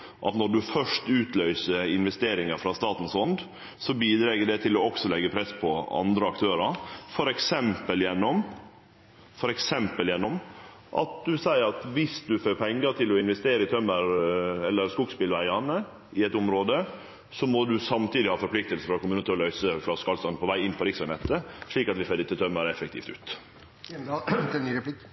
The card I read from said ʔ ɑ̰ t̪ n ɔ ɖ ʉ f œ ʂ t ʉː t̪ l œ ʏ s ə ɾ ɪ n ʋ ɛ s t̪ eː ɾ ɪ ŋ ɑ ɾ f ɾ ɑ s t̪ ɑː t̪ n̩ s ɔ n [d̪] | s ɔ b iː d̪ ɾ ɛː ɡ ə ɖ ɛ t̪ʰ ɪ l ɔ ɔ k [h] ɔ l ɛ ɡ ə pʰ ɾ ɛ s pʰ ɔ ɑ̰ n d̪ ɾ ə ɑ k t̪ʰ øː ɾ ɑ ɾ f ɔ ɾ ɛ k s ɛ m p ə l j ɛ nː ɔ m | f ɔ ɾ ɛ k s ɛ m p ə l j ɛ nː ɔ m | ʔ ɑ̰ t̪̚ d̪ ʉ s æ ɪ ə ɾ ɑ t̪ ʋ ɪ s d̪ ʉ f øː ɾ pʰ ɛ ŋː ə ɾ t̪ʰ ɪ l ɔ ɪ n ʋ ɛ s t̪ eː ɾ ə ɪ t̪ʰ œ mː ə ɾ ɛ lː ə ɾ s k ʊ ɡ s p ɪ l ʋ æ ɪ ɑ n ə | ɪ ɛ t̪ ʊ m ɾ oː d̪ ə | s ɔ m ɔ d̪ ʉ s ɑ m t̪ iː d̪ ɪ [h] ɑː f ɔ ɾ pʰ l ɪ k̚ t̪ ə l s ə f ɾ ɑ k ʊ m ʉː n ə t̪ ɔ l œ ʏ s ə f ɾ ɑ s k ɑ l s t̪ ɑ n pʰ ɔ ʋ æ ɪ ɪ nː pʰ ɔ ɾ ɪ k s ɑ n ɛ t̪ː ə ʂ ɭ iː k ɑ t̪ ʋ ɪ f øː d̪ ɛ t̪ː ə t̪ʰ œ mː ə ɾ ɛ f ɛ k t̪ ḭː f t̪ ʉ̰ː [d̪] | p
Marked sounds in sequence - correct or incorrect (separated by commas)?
correct, incorrect, correct, incorrect